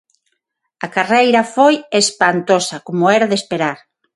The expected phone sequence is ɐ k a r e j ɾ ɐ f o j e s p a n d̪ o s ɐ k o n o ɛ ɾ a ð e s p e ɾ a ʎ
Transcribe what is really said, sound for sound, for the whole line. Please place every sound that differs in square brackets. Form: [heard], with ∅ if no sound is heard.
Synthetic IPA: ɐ k a r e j ɾ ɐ f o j e s p a n [t̪] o s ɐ k o [m] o ɛ ɾ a ð e s p e ɾ a [ɾ]